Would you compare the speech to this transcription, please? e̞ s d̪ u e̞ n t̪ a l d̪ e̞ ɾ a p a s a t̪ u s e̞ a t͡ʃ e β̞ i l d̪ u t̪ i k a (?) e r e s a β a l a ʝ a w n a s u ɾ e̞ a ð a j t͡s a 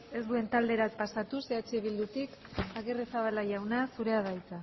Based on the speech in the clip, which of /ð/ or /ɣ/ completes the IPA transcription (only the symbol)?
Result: ɣ